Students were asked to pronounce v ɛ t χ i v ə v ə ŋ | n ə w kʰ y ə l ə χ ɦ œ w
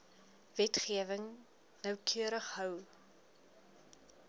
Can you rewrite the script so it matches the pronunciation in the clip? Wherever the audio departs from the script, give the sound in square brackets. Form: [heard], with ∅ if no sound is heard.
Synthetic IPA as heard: v ɛ t χ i [∅] ə v ə ŋ | n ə w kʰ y ə [ɾ] ə χ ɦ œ w